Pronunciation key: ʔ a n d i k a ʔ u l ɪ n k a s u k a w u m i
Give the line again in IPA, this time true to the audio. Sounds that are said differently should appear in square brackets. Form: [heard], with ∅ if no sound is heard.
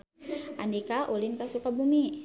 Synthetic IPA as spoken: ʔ a n d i k a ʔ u l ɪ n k a s u k a [b] u m i